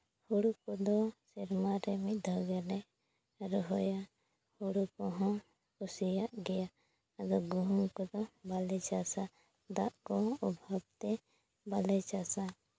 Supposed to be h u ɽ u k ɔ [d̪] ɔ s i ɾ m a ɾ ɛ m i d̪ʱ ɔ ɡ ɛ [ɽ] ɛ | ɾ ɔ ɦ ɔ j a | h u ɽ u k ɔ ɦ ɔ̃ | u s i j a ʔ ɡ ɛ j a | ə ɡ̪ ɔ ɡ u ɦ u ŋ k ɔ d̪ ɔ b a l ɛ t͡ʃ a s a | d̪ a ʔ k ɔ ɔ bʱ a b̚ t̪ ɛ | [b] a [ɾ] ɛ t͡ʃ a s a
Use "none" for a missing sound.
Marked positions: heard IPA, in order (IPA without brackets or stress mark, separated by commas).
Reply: d̪, l, b, l